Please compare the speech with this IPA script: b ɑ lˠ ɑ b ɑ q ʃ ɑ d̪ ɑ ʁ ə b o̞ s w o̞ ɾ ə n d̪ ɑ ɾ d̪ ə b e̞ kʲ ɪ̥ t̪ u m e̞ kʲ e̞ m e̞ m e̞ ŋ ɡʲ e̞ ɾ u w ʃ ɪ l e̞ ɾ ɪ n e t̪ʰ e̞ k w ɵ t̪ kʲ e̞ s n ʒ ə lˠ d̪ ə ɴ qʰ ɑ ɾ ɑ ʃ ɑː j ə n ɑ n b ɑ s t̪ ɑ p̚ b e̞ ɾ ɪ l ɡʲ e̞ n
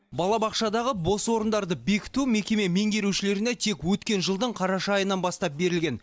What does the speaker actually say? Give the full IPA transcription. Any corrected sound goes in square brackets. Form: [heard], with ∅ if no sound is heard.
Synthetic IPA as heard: b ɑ lˠ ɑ b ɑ q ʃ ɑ d̪ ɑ ʁ ə b o̞ s w o̞ ɾ ə n d̪ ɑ ɾ d̪ ə b e̞ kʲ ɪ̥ t̪ u m e̞ kʲ e̞ m e̞ m e̞ ŋ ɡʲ e̞ ɾ u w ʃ ɪ l e̞ ɾ ɪ n e t̪ʰ e̞ k w ɵ t̪ kʲ e̞ [∅] n ʒ ə lˠ d̪ ə ɴ qʰ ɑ ɾ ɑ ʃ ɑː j ə n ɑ n b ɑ s t̪ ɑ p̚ b e̞ ɾ ɪ l ɡʲ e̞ n